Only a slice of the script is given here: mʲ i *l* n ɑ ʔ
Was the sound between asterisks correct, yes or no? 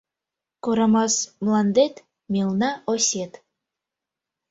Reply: yes